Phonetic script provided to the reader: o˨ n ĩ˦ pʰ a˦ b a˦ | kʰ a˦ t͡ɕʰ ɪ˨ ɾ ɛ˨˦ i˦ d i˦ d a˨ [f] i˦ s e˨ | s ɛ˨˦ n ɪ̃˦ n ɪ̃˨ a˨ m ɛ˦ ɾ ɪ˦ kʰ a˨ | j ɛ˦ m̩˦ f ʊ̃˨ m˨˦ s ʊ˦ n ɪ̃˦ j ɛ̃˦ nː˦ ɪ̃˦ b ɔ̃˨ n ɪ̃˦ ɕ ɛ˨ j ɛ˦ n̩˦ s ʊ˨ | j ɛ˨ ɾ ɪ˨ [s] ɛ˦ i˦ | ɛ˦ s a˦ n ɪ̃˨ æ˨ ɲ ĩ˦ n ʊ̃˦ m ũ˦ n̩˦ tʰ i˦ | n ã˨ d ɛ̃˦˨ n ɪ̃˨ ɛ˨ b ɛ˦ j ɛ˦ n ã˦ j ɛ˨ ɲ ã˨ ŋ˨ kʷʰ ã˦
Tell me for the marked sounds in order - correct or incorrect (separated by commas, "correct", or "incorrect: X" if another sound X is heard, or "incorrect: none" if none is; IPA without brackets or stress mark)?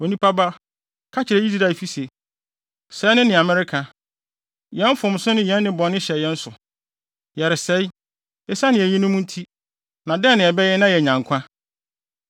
correct, correct